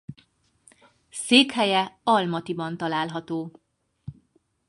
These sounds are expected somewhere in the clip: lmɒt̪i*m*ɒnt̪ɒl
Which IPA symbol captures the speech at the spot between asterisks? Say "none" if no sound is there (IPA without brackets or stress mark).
b